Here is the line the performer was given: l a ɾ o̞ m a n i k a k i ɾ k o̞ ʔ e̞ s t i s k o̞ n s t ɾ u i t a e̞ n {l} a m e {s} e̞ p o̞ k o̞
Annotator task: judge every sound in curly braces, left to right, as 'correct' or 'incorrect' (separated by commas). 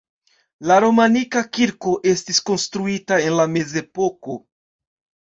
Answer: correct, incorrect